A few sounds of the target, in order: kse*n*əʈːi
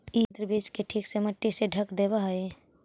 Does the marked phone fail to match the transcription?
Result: yes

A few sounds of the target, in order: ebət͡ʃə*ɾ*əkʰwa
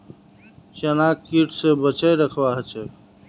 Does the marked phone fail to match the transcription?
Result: no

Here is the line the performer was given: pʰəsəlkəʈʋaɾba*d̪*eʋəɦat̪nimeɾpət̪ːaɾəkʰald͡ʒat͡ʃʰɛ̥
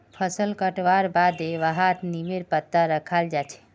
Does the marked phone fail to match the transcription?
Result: no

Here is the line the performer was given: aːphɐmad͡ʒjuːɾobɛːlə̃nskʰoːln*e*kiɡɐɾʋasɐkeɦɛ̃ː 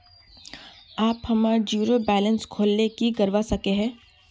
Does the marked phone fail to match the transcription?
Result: no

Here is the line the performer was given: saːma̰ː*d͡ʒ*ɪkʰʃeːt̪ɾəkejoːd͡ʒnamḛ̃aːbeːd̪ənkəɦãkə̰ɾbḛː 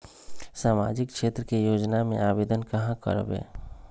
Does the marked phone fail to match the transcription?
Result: no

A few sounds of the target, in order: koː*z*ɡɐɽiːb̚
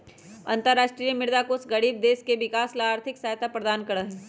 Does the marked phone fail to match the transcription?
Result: yes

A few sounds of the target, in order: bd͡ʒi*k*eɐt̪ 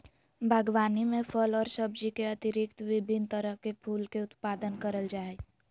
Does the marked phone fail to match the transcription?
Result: no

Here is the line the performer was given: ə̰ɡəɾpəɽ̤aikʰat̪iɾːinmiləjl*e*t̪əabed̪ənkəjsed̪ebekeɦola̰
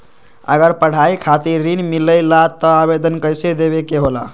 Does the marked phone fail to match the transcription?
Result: yes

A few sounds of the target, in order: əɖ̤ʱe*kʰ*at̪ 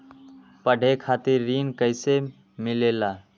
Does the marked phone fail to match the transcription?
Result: no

